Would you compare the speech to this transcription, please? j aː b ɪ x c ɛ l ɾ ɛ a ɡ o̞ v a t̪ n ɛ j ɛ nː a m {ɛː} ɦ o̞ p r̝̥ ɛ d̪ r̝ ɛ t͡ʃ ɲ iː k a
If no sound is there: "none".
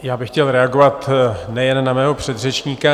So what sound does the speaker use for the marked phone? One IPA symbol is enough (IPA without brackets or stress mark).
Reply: ɛː